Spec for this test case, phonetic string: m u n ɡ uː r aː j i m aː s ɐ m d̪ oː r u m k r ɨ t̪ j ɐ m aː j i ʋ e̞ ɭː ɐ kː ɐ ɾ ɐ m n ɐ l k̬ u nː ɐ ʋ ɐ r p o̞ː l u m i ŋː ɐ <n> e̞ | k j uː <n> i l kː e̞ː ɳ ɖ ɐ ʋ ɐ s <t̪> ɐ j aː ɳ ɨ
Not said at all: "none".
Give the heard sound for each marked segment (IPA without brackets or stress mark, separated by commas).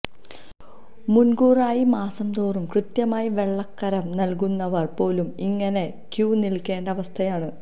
n, n, t̪ʰ